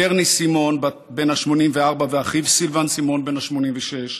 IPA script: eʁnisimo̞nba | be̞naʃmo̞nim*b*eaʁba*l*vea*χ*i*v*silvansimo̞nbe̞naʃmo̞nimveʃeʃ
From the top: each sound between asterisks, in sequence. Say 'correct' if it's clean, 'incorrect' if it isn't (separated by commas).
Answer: incorrect, incorrect, correct, correct